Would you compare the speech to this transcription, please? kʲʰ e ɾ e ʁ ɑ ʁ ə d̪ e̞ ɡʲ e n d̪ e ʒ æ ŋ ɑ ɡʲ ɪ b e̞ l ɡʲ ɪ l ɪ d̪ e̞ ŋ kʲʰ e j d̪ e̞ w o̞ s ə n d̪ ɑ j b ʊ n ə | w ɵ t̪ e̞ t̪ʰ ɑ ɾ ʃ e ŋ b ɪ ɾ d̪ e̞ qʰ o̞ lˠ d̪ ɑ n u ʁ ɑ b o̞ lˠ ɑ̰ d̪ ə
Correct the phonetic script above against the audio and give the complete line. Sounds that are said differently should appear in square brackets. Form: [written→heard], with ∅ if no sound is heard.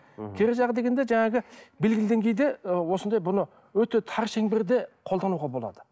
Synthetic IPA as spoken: kʲʰ e ɾ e [ʁ→ʒ] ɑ ʁ ə d̪ e̞ ɡʲ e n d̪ e ʒ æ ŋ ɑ ɡʲ ɪ b e̞ l ɡʲ ɪ l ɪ d̪ e̞ ŋ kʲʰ e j d̪ e̞ w o̞ s ə n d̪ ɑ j b ʊ n ə | w ɵ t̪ e̞ t̪ʰ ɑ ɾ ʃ e ŋ b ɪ ɾ d̪ e̞ qʰ o̞ lˠ d̪ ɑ n u ʁ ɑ b o̞ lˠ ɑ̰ d̪ ə